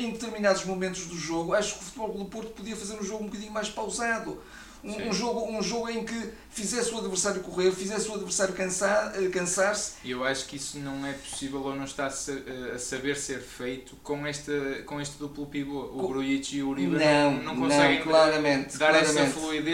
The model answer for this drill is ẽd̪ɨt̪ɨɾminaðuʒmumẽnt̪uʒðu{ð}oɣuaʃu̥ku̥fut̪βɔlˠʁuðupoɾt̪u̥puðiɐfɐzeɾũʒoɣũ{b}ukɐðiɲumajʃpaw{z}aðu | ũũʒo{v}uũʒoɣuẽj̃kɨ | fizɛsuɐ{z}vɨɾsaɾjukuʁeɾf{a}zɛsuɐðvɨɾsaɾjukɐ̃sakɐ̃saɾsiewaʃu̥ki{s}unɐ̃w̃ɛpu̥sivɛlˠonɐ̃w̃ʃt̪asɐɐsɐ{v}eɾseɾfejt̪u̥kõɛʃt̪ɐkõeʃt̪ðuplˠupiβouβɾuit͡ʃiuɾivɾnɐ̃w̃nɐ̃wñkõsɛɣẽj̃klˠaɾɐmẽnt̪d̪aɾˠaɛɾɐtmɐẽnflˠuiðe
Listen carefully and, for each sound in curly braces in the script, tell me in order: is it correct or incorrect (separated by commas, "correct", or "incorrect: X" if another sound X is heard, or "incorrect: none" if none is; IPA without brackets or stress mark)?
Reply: incorrect: ʒ, correct, correct, incorrect: ɣ, incorrect: ð, incorrect: i, correct, incorrect: β